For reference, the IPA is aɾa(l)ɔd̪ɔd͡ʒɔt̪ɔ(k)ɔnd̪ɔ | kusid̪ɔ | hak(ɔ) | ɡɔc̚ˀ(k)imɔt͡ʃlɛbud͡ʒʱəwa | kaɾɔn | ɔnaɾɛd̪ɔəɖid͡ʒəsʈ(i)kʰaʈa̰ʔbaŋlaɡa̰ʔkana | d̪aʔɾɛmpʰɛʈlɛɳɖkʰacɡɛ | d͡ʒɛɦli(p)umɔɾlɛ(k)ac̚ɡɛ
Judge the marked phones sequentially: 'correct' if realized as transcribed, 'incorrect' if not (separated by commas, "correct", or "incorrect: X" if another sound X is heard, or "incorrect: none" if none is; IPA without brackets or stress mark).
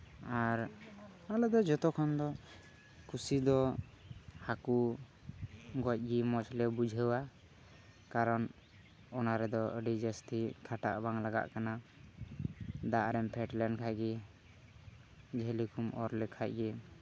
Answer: correct, incorrect: kʰ, incorrect: u, incorrect: ɡ, correct, incorrect: k, incorrect: kʰ